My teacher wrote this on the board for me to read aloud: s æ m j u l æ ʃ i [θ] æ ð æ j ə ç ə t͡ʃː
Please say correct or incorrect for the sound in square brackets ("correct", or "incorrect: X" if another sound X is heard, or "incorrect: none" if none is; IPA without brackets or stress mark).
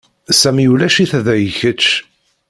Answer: correct